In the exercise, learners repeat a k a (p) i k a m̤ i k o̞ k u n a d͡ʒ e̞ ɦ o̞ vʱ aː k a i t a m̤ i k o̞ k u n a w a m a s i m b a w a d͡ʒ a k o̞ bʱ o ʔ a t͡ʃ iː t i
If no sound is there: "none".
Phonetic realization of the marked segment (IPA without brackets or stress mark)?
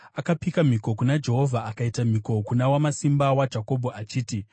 p